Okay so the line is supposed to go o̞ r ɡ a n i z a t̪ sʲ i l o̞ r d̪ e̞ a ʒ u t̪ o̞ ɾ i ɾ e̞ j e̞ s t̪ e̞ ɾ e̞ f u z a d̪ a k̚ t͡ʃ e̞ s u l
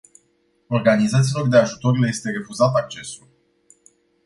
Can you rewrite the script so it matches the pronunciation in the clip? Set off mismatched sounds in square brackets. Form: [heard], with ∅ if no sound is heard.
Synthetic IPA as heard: o̞ r ɡ a n i z a t̪ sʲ i l o̞ r d̪ e̞ a ʒ u t̪ o̞ ɾ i [l] e̞ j e̞ s t̪ e̞ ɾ e̞ f u z a [t̪] a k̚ t͡ʃ e̞ s u l